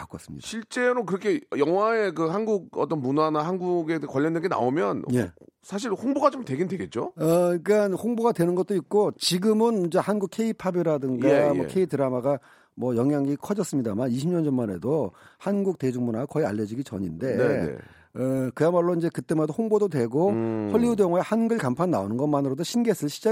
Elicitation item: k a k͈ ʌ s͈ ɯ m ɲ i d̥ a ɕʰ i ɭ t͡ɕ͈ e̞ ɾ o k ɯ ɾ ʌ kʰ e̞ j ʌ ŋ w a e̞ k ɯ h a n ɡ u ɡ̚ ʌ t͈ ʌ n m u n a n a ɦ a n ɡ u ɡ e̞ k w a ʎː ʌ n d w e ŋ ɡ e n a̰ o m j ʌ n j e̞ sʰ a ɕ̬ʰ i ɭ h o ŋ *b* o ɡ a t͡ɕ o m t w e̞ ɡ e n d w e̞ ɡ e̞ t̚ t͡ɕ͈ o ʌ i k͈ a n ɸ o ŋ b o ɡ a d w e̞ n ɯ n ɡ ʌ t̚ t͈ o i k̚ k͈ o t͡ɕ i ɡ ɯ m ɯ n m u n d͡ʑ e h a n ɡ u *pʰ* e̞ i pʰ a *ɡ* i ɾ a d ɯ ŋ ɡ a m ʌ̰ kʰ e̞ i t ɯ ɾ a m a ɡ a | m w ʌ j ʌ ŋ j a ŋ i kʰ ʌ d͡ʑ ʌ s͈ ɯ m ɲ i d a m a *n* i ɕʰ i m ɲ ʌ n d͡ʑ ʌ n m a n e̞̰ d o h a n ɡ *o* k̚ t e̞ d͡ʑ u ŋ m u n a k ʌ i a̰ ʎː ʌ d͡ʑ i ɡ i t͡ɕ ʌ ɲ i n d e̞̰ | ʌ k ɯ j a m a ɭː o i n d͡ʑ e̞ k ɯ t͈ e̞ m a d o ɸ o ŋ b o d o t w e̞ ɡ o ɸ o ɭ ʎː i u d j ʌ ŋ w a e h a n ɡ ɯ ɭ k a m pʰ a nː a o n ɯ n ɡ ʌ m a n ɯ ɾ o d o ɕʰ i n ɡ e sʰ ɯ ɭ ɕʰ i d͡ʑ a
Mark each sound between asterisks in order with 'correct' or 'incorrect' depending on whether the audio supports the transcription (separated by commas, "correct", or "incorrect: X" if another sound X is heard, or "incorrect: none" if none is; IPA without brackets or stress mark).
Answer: correct, incorrect: kʰ, incorrect: b, correct, incorrect: u